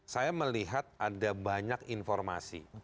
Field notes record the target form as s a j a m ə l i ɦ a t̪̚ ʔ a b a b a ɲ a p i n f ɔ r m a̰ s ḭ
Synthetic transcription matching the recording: s a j a m ə l i ɦ a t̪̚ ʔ a d a b a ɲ a k i n f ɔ r m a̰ s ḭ